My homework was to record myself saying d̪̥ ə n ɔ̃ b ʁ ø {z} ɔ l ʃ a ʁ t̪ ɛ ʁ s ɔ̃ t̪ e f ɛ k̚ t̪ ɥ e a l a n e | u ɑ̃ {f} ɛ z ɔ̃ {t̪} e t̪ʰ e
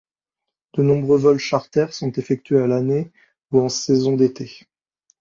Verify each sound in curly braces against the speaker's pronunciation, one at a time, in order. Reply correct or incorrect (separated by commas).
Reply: incorrect, incorrect, incorrect